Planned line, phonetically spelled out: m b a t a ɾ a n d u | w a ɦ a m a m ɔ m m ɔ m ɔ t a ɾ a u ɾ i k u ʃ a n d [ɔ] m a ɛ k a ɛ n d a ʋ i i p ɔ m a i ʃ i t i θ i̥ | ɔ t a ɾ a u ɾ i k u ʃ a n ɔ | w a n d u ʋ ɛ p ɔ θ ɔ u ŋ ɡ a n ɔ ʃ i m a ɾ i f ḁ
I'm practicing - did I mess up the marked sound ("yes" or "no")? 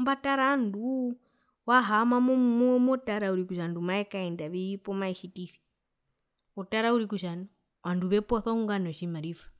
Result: yes